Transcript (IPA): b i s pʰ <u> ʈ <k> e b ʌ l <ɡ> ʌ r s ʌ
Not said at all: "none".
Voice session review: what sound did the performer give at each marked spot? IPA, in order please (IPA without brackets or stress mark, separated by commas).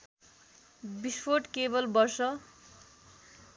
o, k, b